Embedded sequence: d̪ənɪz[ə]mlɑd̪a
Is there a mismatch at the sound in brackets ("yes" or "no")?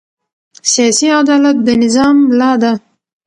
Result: yes